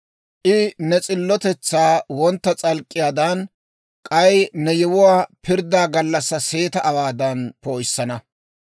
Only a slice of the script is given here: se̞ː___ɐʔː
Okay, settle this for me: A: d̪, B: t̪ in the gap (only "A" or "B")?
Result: B